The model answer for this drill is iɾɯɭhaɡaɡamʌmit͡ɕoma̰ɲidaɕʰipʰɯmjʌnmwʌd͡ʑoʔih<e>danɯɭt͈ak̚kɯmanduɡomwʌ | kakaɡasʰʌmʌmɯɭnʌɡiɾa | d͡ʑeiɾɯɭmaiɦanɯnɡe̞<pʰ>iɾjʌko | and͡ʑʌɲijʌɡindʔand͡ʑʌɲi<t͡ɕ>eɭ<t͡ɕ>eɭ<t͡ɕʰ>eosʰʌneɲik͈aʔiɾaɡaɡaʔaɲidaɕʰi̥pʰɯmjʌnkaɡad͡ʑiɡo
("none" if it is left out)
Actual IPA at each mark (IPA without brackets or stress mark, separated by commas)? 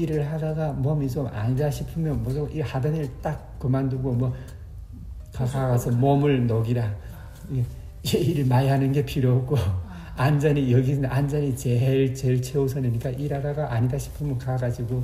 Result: a, pʰ, t͡ɕ, t͡ɕ, t͡ɕʰ